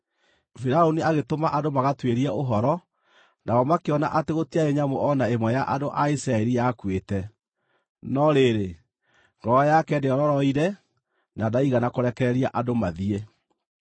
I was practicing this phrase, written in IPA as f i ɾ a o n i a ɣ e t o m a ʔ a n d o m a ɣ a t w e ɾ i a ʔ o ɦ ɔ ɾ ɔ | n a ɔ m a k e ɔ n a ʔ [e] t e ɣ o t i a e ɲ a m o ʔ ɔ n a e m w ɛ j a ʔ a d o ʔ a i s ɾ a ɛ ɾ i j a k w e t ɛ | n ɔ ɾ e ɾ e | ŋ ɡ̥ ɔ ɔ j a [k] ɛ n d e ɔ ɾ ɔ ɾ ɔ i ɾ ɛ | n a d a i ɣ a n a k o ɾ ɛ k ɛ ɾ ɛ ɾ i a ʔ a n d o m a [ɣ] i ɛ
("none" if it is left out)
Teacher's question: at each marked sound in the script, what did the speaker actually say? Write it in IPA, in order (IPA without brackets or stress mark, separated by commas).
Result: a, k, ð